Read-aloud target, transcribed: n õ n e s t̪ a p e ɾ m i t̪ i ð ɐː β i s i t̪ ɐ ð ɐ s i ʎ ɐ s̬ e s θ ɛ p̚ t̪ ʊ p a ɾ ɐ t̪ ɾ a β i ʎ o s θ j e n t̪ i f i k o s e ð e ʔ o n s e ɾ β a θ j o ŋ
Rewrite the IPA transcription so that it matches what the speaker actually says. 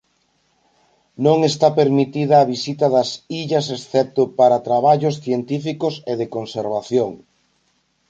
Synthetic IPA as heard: n õ ŋ e s t̪ a p e ɾ m i t̪ i ð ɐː β i s i t̪ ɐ ð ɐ s i ʎ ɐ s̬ e s θ ɛ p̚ t̪ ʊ p a ɾ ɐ t̪ ɾ a β a ʎ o s θ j e n t̪ i f i k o s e ð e k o n s e ɾ β a θ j o ŋ